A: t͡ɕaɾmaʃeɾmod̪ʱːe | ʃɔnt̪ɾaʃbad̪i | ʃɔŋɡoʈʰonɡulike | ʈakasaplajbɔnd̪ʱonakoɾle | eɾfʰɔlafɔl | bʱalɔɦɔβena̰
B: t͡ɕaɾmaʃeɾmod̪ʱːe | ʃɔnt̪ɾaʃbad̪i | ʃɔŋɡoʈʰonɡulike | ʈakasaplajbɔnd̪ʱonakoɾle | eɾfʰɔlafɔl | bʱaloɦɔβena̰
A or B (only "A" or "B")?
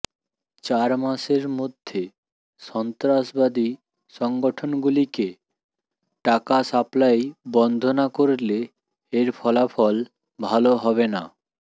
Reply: B